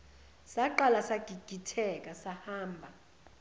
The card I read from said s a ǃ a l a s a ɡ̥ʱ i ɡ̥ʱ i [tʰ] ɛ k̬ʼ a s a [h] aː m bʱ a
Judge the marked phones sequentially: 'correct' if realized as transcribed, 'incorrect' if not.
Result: correct, correct

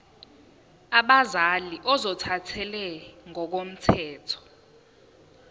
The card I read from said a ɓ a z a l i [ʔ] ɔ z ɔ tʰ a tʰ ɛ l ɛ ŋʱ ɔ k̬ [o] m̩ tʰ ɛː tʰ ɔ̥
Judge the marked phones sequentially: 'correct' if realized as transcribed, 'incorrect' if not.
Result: correct, correct

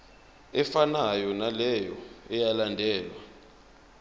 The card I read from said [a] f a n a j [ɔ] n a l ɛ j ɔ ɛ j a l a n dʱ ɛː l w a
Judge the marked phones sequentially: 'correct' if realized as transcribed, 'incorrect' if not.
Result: incorrect: ɛ, correct

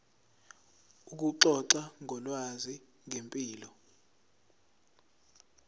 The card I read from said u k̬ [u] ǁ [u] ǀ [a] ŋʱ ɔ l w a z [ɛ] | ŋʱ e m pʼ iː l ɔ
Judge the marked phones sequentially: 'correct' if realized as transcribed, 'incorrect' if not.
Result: correct, incorrect: ɔ, correct, incorrect: i

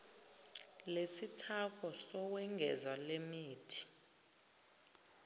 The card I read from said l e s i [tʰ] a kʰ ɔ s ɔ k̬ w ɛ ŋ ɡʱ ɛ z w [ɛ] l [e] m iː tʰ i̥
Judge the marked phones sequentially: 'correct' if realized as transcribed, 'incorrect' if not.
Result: correct, incorrect: a, correct

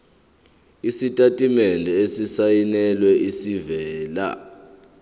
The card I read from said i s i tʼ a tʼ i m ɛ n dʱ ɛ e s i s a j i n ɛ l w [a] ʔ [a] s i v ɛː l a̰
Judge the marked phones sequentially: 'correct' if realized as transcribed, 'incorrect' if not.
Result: incorrect: ɛ, incorrect: i

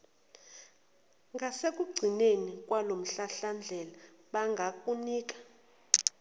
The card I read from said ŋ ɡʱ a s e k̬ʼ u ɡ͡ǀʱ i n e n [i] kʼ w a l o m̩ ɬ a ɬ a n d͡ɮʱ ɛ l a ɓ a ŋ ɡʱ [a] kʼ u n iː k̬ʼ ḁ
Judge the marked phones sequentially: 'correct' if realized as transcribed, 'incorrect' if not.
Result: correct, correct

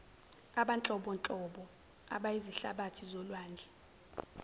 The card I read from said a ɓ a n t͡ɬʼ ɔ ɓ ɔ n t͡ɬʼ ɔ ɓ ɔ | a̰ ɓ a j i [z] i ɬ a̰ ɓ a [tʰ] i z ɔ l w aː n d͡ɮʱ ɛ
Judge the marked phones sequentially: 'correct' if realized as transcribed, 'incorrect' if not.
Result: correct, correct

